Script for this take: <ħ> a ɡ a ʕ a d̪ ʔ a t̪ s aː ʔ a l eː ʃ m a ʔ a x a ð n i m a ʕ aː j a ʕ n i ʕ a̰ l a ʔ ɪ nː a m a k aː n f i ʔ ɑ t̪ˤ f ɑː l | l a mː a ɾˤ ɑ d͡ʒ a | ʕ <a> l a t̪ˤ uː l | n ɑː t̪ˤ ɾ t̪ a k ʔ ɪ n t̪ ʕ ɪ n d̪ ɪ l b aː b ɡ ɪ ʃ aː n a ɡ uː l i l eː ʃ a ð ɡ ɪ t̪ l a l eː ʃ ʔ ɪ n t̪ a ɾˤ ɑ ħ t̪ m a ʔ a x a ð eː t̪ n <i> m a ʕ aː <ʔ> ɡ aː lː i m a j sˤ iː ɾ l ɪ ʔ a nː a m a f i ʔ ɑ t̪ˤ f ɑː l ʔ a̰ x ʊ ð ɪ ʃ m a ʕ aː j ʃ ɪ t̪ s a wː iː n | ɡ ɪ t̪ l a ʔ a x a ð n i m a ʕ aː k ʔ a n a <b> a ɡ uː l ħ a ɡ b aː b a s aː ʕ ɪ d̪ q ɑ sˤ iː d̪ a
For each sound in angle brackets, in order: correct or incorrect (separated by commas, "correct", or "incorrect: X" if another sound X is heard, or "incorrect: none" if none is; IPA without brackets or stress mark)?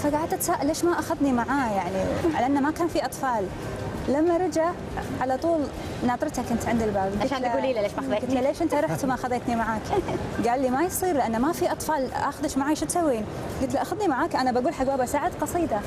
incorrect: f, correct, correct, incorrect: k, correct